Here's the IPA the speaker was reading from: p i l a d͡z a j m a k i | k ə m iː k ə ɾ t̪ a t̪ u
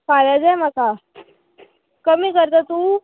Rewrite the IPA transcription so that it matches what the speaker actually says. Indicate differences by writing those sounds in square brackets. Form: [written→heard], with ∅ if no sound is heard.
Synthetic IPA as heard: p [i→a] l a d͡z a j m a k [i→a] | k ə m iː k ə ɾ t̪ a t̪ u